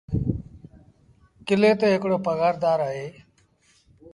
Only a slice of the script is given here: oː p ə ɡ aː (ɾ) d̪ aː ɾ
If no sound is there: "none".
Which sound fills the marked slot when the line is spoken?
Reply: ɾ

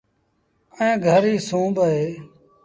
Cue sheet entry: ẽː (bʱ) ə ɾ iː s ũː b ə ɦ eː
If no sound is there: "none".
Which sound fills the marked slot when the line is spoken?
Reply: ɡʱ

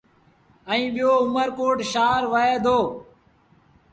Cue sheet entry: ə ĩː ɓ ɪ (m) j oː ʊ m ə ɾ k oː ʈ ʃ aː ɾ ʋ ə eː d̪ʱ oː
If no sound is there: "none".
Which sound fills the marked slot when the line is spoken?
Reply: none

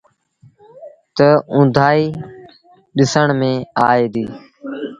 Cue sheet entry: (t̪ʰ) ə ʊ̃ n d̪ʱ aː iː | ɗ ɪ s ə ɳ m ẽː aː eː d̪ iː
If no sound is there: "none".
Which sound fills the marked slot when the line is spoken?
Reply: t̪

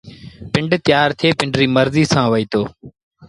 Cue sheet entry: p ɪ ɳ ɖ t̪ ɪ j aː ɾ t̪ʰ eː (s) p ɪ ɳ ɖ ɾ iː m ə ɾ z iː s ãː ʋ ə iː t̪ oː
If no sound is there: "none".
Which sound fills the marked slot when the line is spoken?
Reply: none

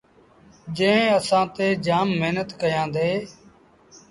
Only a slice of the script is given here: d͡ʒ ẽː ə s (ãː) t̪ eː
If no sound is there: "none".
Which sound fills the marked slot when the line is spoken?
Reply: ãː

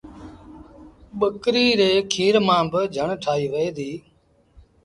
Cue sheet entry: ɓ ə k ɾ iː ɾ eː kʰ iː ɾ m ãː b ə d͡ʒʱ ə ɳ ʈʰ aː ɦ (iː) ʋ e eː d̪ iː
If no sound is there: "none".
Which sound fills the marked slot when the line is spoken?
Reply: iː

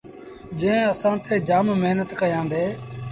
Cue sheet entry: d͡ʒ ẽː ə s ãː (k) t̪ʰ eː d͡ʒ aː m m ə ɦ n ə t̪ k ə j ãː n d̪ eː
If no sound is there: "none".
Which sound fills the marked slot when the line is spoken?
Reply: none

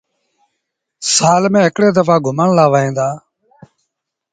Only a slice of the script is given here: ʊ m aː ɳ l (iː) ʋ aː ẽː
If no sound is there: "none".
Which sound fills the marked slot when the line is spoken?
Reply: aː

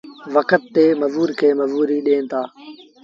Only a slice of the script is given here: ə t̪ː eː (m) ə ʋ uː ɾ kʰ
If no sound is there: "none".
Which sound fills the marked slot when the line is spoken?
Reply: m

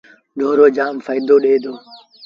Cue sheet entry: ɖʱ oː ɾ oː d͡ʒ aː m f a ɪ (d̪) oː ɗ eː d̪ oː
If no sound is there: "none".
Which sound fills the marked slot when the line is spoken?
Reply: d̪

